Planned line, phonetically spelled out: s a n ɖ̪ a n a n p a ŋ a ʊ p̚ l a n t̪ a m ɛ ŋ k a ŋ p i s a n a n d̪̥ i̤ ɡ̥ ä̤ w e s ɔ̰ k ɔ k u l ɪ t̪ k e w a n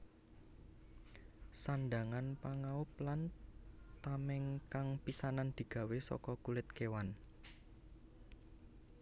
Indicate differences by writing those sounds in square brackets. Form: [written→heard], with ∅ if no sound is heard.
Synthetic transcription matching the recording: s a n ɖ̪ a [n→ŋ] a n p a ŋ a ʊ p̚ l a n t̪ a m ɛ ŋ k a ŋ p i s a n a n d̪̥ i̤ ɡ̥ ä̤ w e s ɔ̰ k ɔ k u l ɪ t̪ k e w a n